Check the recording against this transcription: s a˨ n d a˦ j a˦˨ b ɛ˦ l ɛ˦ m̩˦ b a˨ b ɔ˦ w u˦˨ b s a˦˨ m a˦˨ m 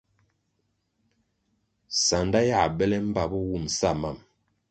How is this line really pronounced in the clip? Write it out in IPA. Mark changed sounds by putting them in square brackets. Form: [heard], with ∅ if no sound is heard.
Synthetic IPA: s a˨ n d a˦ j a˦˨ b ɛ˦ l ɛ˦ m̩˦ b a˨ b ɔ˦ w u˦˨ [m] s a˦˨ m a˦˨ m